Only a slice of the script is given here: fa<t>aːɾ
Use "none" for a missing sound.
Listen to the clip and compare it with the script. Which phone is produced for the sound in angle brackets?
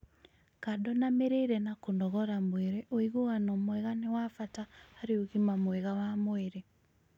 t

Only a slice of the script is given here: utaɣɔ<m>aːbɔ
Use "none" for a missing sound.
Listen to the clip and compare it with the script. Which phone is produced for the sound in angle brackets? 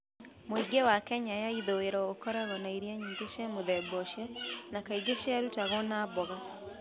n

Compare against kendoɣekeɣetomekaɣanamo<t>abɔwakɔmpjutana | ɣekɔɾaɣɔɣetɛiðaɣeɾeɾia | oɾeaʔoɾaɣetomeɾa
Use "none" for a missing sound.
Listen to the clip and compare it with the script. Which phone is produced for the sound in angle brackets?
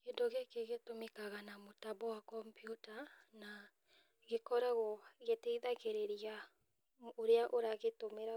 t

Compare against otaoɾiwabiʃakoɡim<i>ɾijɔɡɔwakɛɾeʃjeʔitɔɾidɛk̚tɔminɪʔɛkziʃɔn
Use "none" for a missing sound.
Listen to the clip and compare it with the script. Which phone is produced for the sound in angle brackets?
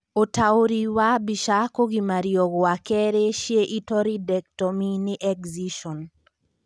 a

